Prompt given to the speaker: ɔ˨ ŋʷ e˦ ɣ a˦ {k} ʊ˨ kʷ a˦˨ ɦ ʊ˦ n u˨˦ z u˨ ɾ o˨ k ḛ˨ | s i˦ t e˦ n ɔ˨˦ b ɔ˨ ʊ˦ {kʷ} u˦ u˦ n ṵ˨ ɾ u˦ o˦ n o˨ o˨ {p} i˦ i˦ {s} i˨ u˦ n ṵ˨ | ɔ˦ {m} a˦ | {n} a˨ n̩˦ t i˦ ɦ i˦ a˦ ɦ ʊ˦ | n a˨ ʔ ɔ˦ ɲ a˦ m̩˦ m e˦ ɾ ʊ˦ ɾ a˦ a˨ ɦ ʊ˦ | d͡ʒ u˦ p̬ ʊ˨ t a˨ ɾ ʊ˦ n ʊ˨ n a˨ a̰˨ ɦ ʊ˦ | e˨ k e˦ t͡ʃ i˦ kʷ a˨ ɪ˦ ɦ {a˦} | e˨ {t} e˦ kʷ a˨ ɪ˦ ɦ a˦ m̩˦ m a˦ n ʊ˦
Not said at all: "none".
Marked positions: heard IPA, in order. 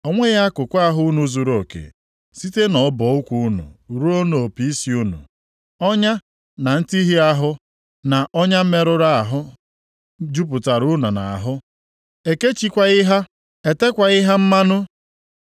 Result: k, kʷ, p, s, ɲ, n, a˦, t

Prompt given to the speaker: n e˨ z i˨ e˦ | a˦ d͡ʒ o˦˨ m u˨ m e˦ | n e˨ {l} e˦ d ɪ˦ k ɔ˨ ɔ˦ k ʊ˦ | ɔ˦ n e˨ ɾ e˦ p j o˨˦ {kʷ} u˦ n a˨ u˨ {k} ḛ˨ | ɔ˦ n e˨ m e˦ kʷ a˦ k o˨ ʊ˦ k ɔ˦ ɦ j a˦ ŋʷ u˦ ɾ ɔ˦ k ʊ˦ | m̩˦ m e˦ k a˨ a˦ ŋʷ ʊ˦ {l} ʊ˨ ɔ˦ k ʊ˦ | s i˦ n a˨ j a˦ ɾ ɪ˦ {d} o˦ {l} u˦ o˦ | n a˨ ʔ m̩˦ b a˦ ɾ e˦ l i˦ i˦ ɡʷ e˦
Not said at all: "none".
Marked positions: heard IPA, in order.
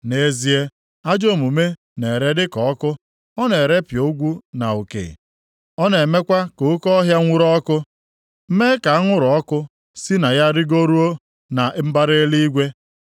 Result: ɾ, ɡʷ, k, ɾ, ɡ, ɾ

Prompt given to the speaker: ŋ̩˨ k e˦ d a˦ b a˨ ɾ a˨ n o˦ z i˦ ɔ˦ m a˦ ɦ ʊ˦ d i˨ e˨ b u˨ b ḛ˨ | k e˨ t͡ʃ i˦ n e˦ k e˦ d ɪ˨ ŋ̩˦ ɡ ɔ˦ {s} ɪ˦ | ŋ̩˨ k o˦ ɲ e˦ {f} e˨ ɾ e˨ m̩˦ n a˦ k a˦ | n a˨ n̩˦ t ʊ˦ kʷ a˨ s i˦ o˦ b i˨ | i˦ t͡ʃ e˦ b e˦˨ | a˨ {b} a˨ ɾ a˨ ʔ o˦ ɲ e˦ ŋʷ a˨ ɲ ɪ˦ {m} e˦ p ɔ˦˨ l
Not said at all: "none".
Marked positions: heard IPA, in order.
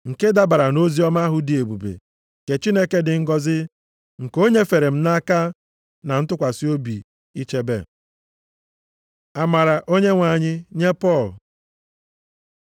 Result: z, f, m, ɲ

